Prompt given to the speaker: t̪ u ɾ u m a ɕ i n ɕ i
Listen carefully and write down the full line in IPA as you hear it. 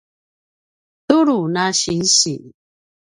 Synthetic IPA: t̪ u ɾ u n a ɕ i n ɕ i